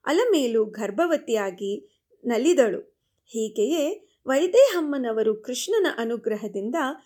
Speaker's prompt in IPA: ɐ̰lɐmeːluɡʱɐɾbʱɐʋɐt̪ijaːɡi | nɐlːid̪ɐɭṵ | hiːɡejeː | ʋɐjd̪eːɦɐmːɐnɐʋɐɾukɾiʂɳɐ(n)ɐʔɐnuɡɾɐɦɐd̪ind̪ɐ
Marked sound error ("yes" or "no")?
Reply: no